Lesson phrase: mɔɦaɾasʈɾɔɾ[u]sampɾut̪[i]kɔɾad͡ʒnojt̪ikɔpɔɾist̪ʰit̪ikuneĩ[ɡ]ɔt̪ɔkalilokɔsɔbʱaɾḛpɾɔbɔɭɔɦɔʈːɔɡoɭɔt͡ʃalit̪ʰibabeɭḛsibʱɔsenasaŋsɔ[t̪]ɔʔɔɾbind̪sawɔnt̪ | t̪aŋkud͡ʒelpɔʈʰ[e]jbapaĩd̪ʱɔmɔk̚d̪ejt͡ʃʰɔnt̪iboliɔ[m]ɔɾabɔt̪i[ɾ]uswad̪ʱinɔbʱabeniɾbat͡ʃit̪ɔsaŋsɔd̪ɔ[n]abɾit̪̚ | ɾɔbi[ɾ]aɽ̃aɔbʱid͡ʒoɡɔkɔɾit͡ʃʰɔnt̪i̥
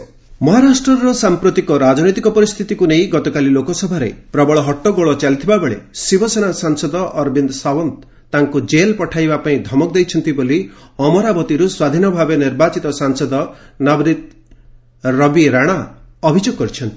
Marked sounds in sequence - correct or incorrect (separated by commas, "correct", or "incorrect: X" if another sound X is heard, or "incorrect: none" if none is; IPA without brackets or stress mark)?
incorrect: ɔ, correct, correct, incorrect: d̪, incorrect: a, correct, correct, correct, correct